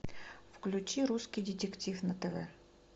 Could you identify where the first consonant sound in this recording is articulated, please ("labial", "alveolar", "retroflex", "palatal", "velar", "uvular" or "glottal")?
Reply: labial